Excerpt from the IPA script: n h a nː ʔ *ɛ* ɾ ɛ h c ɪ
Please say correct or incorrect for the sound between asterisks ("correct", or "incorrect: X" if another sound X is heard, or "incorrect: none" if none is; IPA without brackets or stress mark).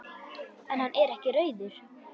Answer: correct